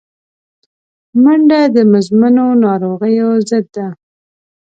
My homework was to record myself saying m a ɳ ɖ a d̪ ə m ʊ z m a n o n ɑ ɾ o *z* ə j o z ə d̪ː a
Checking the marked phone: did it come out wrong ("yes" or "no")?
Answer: yes